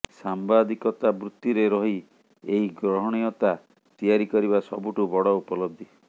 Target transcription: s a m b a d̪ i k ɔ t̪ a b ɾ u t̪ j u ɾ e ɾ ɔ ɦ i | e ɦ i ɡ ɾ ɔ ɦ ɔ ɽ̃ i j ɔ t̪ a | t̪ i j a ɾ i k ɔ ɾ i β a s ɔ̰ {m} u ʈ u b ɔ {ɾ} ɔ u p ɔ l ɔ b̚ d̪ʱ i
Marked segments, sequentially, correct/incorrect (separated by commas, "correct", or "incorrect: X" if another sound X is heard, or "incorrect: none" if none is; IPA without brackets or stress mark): incorrect: b, incorrect: ɽ